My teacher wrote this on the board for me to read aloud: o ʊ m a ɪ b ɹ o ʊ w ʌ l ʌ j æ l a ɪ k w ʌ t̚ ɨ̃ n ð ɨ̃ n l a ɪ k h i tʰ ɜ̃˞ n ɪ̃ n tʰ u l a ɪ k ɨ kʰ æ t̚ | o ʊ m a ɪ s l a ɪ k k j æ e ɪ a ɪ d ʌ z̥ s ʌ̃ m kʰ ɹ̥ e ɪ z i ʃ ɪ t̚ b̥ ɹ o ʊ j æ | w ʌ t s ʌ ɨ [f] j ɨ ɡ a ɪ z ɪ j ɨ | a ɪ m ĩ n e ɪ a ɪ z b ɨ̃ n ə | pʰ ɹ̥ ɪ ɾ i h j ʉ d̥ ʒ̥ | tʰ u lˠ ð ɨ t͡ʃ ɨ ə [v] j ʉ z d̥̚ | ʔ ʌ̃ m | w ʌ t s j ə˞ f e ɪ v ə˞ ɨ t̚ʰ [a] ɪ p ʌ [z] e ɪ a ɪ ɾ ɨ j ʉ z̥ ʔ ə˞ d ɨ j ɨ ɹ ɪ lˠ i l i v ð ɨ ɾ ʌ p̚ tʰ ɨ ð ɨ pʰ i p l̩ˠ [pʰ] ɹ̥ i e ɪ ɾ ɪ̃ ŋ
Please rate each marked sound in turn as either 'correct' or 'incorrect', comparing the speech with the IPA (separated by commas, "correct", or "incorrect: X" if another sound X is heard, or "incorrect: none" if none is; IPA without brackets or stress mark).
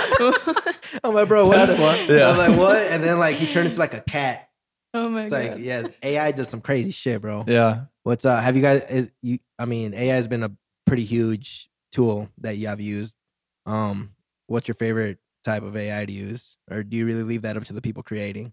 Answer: incorrect: v, correct, correct, incorrect: v, incorrect: kʰ